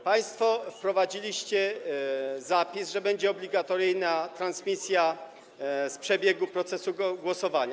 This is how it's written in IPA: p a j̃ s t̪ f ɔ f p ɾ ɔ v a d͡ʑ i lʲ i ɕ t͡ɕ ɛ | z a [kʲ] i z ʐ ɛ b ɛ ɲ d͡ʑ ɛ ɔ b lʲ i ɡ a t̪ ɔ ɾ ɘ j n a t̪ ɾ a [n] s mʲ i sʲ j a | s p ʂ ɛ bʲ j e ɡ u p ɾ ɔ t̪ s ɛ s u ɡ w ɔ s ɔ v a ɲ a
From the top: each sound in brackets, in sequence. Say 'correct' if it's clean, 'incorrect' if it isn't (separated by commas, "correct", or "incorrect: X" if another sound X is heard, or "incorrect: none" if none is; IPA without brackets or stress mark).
incorrect: pʲ, correct